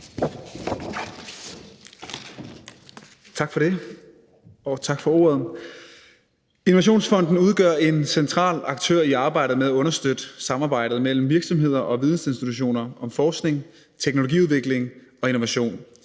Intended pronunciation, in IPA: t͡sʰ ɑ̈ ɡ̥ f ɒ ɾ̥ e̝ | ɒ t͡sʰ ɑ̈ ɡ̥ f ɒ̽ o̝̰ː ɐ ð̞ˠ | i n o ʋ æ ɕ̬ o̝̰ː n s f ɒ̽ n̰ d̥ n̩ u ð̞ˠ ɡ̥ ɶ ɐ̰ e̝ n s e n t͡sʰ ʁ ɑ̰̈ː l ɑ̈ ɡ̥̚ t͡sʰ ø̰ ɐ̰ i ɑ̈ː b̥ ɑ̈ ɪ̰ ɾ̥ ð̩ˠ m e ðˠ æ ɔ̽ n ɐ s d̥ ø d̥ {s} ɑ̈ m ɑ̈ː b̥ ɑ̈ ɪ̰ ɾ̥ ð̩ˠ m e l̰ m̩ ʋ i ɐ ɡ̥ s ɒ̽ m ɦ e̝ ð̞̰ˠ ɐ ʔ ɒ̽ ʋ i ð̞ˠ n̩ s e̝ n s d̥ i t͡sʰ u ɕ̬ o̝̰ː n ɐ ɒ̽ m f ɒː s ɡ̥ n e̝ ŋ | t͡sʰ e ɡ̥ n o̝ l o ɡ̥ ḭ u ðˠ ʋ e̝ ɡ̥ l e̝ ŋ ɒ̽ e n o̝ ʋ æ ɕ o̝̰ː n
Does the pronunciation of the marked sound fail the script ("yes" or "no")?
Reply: no